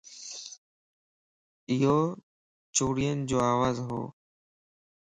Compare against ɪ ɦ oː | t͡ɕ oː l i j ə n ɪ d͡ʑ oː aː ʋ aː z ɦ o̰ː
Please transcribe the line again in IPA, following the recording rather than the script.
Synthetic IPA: ɪ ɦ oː | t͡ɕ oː ɽ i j ə n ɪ d͡ʑ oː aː ʋ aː z ɦ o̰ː

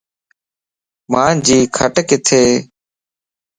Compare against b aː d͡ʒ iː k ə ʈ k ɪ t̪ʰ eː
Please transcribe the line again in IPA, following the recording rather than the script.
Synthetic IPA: m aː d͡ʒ iː kʰ ə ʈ k ɪ t̪ʰ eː

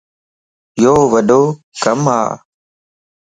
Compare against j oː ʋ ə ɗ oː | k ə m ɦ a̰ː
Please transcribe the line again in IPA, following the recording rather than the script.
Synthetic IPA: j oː ʋ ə ɗ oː | k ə m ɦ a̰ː

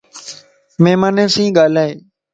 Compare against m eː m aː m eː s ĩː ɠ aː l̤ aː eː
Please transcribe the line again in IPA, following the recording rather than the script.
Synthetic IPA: m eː m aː n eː s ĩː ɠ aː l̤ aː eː

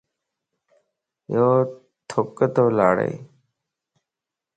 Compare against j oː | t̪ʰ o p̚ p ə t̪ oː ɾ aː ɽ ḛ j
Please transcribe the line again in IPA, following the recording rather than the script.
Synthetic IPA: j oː | t̪ʰ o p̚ k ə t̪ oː l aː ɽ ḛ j

